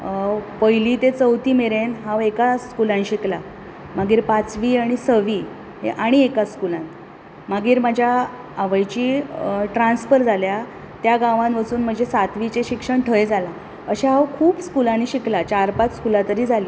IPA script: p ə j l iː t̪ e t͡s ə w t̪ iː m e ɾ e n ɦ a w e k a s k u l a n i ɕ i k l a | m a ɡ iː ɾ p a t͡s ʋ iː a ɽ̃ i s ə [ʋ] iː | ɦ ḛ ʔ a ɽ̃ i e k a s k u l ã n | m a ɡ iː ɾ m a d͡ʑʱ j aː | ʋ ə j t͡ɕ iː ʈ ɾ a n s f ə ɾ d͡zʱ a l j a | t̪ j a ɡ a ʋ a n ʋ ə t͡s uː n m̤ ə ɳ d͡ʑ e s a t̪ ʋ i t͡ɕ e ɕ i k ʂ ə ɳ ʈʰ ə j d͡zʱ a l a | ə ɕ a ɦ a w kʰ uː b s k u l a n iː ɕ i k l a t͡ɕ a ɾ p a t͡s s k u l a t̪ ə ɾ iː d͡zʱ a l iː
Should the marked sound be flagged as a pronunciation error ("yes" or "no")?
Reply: no